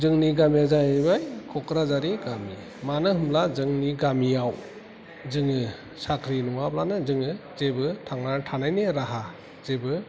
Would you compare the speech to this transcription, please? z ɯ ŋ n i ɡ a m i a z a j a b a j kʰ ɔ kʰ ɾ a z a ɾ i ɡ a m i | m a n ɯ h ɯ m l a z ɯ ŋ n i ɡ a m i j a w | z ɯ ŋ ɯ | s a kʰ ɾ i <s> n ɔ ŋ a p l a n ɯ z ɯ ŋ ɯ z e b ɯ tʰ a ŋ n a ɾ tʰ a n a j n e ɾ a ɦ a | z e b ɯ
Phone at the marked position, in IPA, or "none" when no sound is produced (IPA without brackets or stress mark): none